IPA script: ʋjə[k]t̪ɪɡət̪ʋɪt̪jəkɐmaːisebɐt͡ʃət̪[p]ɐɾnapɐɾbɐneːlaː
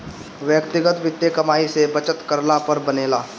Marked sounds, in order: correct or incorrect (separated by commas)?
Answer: correct, incorrect